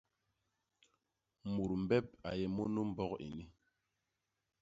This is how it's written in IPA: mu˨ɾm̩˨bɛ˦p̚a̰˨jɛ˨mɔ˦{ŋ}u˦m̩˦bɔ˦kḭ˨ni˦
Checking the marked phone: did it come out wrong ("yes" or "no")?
yes